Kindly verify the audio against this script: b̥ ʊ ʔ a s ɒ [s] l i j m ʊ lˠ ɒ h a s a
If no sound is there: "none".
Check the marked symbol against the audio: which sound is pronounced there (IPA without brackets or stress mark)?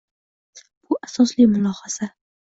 s